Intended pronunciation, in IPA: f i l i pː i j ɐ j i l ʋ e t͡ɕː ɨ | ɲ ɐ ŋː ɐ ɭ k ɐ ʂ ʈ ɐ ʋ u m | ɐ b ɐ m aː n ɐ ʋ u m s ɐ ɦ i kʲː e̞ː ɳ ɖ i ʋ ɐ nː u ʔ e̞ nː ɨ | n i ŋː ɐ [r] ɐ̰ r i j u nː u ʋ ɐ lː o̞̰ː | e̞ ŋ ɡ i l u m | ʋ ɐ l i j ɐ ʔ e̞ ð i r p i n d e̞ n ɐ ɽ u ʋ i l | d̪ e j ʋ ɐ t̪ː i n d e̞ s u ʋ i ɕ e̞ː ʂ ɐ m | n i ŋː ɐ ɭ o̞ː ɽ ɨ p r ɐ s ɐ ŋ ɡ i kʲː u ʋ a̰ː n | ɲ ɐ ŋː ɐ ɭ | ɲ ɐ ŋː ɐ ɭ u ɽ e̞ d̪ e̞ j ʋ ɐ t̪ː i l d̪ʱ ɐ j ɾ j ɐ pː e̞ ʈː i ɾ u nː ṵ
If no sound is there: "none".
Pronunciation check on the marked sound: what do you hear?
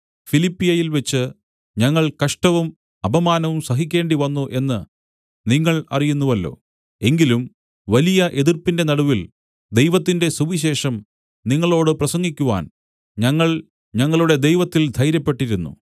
ɭ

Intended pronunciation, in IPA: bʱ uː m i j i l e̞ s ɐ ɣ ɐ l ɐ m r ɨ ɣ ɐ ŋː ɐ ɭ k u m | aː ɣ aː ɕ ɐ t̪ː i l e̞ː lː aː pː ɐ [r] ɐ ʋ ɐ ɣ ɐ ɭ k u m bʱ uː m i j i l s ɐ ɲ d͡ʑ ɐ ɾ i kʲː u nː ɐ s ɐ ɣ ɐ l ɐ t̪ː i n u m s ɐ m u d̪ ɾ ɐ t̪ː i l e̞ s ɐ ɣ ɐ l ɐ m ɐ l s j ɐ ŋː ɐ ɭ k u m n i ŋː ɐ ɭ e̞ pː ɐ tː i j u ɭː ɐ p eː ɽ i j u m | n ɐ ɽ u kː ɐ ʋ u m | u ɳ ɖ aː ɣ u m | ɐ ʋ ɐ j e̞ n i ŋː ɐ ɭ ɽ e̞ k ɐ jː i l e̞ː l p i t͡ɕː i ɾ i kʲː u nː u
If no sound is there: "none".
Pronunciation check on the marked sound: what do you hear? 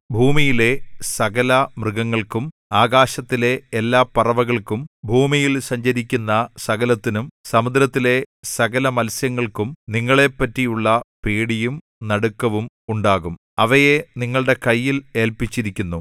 r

